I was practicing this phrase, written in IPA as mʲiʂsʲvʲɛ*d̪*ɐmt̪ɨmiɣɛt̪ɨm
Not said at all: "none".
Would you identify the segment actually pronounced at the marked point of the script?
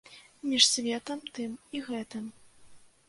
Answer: t̪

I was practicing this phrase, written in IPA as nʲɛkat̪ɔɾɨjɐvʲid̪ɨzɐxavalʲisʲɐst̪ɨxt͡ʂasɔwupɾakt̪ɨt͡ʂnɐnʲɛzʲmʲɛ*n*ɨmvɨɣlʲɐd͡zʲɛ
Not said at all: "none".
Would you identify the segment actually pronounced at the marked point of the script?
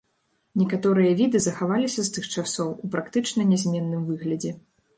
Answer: nː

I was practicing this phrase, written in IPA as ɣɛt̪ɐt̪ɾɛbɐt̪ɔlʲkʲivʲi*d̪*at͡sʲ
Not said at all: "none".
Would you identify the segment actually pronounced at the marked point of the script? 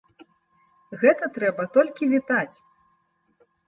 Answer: t̪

